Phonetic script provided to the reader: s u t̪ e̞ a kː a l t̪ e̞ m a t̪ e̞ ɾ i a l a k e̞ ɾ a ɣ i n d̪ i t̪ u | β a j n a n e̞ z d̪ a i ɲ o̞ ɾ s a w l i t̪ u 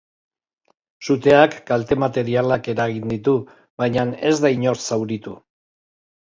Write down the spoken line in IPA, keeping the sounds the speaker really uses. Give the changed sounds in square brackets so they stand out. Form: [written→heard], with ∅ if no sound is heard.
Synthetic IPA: s u t̪ e̞ a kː a l t̪ e̞ m a t̪ e̞ ɾ i a l a k e̞ ɾ a ɣ i n d̪ i t̪ u | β a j [n→ɲ] a n e̞ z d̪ a i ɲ o̞ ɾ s a w [l→ɾ] i t̪ u